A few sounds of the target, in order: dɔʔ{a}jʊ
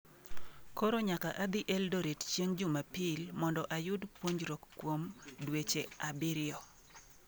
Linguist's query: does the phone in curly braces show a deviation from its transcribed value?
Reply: no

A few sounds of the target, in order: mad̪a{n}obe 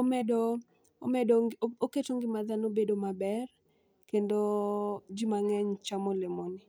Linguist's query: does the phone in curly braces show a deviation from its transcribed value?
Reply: no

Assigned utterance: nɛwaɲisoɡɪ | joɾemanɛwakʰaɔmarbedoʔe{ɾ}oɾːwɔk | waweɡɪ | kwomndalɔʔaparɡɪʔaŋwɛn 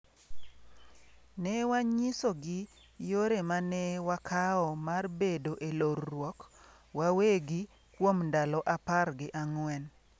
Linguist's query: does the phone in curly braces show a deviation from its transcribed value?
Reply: yes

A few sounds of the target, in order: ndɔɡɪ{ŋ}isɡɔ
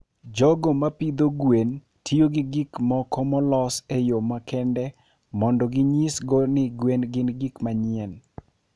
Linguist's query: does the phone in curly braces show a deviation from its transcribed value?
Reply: yes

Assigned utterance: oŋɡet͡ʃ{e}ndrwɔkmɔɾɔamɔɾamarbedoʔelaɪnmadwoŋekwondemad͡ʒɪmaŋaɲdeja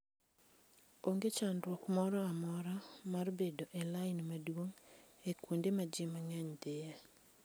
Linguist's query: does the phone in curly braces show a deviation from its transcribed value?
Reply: yes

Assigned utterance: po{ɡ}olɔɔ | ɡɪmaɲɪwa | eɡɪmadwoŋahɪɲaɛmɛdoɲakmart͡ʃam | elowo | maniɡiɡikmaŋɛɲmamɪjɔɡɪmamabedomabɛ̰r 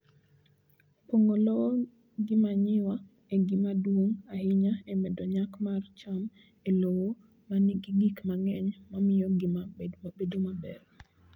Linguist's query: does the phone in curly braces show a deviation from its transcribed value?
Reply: yes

